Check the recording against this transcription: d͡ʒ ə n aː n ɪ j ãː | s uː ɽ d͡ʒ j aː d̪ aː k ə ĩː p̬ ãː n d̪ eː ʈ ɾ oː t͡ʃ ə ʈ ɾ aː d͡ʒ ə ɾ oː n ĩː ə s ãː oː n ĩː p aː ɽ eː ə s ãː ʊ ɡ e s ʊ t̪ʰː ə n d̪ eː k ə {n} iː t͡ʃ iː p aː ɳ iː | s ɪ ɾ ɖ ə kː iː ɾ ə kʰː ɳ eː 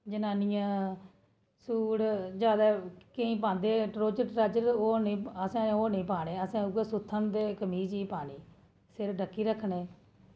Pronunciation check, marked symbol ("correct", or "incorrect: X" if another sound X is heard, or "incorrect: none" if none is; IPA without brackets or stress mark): incorrect: m